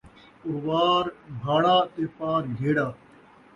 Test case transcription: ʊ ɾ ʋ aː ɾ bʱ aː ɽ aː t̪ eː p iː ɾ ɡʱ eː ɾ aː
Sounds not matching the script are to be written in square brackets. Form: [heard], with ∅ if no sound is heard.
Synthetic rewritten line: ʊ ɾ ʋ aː ɾ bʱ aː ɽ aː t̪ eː p [aː] ɾ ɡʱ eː [ɽ] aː

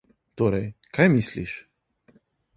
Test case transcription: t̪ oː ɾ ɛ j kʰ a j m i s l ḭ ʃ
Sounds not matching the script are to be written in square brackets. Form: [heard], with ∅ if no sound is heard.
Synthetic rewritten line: t̪ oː ɾ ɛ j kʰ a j m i s l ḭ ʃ

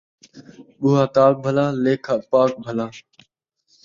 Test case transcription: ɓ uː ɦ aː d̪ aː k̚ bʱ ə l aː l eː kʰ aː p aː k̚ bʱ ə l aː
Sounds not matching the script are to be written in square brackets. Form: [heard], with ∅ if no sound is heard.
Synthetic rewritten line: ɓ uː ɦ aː [t̪] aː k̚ bʱ ə l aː l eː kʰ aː p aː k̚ bʱ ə l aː

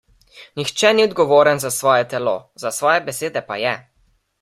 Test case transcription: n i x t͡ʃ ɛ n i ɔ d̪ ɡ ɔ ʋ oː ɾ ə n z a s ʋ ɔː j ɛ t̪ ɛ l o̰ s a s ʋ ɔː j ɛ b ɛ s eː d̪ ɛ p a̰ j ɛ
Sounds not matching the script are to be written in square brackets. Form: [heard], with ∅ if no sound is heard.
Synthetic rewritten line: n i x t͡ʃ ɛ n i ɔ d̪ ɡ ɔ ʋ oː ɾ ə n z a s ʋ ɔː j ɛ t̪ ɛ l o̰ [z] a s ʋ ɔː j ɛ b ɛ s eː d̪ ɛ p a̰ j ɛ

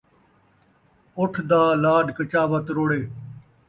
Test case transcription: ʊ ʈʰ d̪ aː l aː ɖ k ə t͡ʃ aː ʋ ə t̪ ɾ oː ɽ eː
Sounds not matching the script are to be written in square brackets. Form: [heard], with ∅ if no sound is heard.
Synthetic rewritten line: ʊ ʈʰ d̪ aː l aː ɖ k ə t͡ʃ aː ʋ ə t̪ ɾ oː ɽ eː

